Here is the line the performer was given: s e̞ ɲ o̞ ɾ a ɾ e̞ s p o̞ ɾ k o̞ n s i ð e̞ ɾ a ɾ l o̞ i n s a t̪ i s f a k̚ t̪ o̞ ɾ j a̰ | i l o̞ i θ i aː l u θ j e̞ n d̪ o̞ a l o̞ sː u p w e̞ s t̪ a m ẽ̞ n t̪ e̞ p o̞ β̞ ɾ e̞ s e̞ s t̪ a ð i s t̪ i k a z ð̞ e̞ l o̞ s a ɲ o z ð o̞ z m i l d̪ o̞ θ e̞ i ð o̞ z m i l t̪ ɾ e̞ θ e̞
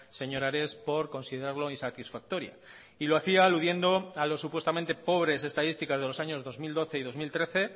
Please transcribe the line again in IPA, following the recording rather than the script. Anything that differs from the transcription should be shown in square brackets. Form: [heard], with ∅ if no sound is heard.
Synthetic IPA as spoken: s e̞ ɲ o̞ ɾ a ɾ e̞ s p o̞ ɾ k o̞ n s i ð e̞ ɾ a ɾ l o̞ i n s a t̪ i s f a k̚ t̪ o̞ ɾ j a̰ | i l o̞ [a] θ i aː l u [ð] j e̞ n d̪ o̞ a l o̞ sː u p w e̞ s t̪ a m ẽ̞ n t̪ e̞ p o̞ β̞ ɾ e̞ s e̞ s t̪ a ð i s t̪ i k a z ð̞ e̞ l o̞ s a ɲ o z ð o̞ z m i l d̪ o̞ θ e̞ i ð o̞ z m i l t̪ ɾ e̞ θ e̞